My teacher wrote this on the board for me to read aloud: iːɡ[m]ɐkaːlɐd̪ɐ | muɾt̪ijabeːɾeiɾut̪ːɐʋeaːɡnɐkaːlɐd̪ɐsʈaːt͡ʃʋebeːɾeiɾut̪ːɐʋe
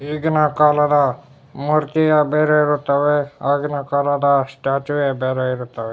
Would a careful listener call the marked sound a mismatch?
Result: yes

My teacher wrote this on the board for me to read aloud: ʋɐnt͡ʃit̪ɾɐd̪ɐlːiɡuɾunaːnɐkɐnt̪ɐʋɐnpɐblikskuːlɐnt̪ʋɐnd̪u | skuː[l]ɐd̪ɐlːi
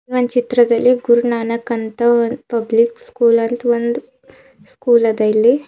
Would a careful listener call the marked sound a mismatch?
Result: no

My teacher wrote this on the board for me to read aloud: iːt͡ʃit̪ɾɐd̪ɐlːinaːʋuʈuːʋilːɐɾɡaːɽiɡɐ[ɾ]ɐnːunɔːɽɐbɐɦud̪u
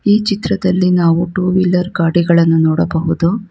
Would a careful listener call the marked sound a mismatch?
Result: yes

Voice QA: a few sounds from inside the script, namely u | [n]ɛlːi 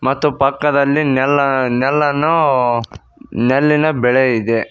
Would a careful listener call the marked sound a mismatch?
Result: no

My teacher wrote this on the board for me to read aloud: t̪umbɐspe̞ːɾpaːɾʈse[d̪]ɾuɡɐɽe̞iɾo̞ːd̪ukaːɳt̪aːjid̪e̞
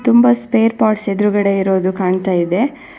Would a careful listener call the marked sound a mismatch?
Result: no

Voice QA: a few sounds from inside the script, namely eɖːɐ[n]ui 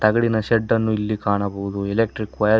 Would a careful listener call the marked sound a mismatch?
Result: yes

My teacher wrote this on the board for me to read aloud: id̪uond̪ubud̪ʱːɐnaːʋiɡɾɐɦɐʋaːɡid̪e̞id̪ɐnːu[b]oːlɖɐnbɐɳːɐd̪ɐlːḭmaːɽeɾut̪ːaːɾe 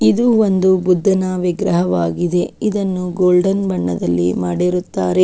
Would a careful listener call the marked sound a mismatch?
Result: yes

